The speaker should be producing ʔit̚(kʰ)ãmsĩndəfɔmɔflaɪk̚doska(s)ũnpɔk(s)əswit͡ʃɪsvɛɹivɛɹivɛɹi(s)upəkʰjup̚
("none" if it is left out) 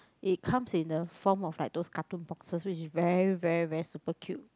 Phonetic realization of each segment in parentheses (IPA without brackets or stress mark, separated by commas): kʰ, t, s, s